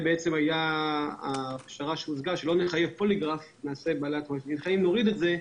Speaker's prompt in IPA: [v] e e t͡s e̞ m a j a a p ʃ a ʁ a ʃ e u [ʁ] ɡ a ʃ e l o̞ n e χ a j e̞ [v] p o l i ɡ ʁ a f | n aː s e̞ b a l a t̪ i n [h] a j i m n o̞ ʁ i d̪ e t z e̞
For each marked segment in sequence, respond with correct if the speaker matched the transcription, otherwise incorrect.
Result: incorrect: b, incorrect: z, correct, incorrect: χ

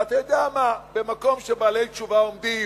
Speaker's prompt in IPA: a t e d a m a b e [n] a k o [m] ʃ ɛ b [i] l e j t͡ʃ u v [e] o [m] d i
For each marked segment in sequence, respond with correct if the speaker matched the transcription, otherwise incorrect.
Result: incorrect: m, correct, incorrect: a, incorrect: a, correct

